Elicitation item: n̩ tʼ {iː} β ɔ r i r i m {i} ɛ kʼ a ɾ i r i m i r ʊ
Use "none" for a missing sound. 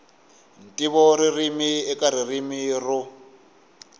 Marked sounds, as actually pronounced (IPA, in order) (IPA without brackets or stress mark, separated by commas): i, i